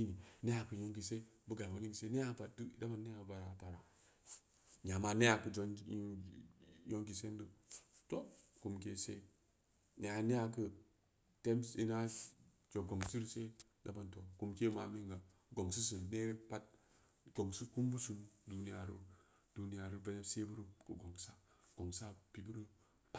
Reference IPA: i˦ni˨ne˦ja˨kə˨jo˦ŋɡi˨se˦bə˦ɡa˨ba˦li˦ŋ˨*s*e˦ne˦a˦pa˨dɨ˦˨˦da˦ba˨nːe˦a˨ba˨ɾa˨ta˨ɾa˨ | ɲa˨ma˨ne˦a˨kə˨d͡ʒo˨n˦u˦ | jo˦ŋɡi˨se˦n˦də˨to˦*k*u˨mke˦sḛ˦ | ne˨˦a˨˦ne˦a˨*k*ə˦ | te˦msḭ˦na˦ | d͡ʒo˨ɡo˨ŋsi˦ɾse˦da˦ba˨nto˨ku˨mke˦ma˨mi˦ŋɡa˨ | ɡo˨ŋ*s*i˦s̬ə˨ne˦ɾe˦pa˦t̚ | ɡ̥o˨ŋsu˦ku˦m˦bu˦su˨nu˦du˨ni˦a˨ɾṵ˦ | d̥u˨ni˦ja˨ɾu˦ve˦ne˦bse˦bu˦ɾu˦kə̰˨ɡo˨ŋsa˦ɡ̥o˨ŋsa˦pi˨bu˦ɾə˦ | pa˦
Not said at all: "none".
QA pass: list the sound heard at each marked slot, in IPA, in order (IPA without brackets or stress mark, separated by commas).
s, k, k, s